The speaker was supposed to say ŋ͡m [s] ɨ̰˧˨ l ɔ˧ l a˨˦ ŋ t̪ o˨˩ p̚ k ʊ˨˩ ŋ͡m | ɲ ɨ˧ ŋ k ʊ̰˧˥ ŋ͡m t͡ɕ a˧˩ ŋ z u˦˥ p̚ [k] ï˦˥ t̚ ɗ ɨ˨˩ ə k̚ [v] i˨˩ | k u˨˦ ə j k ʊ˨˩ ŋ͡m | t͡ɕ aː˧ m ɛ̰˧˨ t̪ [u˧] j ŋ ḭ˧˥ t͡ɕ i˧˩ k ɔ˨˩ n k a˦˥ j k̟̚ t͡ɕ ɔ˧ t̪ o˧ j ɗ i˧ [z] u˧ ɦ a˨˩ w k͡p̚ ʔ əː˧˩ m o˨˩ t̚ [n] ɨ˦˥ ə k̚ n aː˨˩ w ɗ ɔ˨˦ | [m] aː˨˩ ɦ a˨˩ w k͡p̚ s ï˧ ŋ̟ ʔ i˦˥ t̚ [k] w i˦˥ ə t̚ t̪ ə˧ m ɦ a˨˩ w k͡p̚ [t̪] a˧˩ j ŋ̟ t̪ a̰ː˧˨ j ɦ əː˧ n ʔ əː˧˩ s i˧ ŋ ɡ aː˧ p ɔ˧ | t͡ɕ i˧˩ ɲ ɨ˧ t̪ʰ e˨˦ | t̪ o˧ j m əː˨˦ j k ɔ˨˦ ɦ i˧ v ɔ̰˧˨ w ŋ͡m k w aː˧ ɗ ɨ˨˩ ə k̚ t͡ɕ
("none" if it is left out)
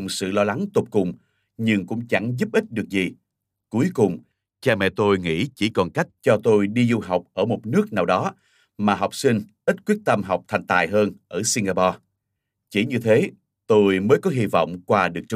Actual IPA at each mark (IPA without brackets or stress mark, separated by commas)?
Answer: s, ʔ, z, o˧, z, n, m, k, t̪ʰ